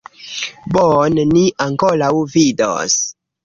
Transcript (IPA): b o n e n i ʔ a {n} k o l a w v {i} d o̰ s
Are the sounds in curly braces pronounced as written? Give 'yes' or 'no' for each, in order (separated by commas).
no, yes